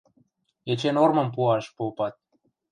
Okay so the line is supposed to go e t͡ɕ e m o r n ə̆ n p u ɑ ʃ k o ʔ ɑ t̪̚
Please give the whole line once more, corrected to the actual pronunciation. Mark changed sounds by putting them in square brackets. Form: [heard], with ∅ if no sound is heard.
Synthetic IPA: e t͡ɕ e [n] o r [m] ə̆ [m] p u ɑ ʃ [p] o [p] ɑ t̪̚

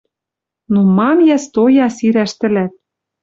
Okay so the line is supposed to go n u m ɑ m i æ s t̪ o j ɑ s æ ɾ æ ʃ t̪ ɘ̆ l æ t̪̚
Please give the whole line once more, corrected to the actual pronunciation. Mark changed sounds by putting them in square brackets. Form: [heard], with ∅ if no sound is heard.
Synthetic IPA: n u m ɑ m [j] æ s t̪ o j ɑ s [i] ɾ æ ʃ t̪ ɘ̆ l æ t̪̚

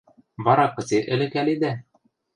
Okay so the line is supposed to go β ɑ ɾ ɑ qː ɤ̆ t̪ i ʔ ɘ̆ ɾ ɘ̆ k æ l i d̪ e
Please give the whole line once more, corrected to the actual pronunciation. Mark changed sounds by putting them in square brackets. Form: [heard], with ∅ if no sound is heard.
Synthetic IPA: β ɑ ɾ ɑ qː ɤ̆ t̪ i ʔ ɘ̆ [l] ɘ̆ k æ l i d̪ [æ]

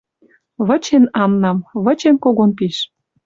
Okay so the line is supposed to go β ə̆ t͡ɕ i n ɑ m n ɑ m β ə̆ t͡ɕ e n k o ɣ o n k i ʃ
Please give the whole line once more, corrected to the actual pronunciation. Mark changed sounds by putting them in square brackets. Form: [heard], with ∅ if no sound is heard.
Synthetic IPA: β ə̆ t͡ɕ [e] n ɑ m n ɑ m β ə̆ t͡ɕ e n k o ɣ o n [p] i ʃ

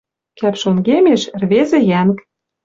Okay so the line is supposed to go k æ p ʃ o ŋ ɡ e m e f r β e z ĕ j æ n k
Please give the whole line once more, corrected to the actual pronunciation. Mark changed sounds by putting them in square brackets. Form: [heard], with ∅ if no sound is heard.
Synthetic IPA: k æ p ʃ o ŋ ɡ e m e [ʃ] r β e z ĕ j æ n k

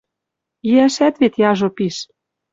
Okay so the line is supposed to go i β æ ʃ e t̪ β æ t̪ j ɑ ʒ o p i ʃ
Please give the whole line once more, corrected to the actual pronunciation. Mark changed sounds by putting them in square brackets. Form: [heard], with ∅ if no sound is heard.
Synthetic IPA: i [∅] æ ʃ [æ] t̪ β [e] t̪ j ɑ ʒ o p i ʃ

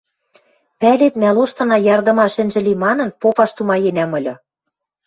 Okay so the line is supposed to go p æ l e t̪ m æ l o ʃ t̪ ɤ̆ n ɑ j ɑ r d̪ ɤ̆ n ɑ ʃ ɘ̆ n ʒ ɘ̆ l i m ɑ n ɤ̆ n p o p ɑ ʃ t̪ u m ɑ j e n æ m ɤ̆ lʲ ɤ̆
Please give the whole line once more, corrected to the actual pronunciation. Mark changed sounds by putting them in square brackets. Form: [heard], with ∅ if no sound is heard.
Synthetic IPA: p æ l e t̪ m æ l o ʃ t̪ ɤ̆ n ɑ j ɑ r d̪ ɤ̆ [m] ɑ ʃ ɘ̆ n ʒ ɘ̆ l i m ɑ n ɤ̆ n p o p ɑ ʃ t̪ u m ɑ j e n æ m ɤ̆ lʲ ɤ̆

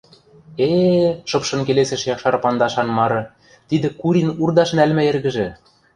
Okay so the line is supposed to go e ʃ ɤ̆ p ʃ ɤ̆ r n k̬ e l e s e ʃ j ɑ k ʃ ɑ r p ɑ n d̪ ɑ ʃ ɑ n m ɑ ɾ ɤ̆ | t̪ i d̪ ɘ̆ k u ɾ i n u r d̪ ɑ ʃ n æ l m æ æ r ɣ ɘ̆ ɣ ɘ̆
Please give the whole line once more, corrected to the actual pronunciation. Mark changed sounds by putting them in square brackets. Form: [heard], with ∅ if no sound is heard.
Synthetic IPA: e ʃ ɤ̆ p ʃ ɤ̆ [∅] n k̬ e l e s e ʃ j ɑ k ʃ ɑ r p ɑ n d̪ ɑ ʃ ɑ n m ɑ ɾ ɤ̆ | t̪ i d̪ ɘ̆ k u ɾ i n u r d̪ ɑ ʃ n æ l m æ [e] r ɣ ɘ̆ [ʒ] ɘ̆

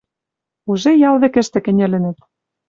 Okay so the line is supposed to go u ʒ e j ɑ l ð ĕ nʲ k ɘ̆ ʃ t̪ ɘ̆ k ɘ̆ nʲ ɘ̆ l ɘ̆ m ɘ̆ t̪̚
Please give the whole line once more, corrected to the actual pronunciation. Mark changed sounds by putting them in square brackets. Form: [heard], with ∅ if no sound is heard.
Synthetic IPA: u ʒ e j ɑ l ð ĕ [∅] k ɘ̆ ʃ t̪ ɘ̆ k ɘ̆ nʲ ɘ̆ l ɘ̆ [n] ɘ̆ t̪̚

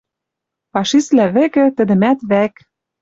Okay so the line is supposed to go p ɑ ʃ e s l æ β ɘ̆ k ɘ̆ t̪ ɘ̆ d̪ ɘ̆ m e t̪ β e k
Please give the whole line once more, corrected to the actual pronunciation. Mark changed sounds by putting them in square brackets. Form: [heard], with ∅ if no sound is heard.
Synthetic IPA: p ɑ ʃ [i] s l æ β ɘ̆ k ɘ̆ t̪ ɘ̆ d̪ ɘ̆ m [æ] t̪ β [æ] k

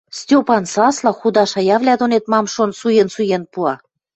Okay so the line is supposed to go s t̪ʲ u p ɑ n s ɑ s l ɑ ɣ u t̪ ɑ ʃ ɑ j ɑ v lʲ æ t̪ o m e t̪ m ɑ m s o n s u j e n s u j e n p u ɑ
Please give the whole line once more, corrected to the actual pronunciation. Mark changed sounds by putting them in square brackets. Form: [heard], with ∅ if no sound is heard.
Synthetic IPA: s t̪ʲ [o] p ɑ n s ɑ s l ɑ [x] u [d̪] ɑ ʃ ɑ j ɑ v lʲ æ [d̪] o [n] e t̪ m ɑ m [ʃ] o n s u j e n s u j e n p u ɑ

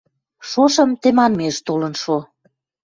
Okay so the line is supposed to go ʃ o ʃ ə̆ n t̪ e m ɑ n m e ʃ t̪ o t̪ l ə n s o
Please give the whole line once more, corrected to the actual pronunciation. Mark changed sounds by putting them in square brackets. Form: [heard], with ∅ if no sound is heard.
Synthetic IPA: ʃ o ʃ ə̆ [m] t̪ e m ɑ n m e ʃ t̪ o [∅] l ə n [ʃ] o

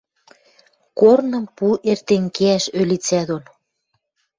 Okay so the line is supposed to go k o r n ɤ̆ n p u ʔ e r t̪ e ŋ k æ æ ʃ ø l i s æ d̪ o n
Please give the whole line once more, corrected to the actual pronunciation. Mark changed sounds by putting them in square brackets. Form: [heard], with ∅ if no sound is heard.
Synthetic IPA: k o r n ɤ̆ [m] p u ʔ e r t̪ e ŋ k [e] æ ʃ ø l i [t͡s] æ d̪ o n

